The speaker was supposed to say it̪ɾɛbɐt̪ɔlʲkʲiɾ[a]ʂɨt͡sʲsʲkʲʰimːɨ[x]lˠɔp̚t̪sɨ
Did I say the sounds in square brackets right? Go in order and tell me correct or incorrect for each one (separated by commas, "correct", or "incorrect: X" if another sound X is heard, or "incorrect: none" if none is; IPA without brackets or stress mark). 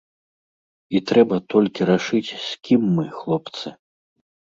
correct, correct